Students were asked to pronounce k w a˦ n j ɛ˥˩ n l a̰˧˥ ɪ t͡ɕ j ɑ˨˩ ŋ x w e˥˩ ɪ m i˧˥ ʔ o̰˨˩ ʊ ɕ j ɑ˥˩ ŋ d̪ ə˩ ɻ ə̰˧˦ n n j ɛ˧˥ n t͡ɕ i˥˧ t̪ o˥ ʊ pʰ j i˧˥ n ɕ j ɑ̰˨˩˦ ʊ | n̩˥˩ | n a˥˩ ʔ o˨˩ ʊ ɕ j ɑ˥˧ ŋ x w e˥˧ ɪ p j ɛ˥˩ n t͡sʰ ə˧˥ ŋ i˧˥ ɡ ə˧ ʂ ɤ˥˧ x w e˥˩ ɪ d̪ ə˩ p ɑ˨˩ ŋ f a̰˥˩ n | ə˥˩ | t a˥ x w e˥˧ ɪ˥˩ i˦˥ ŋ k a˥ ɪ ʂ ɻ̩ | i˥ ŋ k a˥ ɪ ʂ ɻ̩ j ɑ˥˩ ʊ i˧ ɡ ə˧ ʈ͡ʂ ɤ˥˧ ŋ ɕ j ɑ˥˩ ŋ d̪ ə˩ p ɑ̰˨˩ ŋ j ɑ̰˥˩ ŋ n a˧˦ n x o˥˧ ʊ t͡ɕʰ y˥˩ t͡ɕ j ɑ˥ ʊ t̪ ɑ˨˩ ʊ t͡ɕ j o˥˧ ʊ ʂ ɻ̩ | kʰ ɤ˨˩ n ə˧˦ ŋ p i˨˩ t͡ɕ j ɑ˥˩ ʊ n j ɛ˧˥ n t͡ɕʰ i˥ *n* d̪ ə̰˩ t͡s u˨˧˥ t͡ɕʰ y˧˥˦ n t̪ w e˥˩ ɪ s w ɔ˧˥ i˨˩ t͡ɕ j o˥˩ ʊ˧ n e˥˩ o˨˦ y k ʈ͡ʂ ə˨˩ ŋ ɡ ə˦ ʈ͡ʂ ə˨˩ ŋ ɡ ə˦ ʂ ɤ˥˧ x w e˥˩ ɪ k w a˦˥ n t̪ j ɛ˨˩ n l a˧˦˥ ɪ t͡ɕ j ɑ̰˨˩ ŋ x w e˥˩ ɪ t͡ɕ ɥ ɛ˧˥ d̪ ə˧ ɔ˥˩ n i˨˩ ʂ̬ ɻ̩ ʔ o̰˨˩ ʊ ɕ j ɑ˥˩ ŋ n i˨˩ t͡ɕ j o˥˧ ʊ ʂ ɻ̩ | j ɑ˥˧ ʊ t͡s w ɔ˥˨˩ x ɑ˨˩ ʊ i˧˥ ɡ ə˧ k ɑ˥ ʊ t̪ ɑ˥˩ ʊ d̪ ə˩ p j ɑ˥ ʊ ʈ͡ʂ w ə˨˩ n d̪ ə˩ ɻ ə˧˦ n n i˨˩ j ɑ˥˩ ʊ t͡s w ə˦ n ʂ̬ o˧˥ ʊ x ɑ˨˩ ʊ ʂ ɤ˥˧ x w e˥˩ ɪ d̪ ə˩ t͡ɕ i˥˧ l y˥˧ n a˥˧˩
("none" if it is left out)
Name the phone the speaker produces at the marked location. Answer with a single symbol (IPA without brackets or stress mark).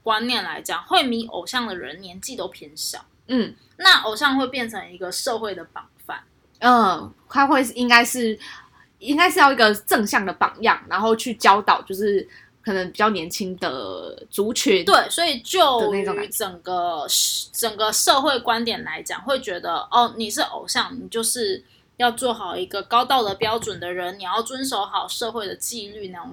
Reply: ŋ